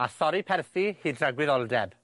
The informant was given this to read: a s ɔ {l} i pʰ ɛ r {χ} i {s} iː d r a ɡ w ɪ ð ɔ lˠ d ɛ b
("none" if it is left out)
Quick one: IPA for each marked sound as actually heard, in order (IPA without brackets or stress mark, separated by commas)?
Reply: ɾ, θ, h